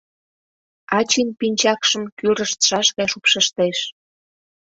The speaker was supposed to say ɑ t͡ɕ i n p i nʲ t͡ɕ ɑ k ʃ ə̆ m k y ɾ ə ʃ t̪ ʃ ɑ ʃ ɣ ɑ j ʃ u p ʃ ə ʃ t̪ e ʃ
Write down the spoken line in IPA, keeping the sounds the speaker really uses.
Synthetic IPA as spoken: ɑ t͡ɕ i n p i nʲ t͡ɕ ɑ k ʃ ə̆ m k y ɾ ə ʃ t̪ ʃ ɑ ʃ ɣ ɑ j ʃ u p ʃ ə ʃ t̪ e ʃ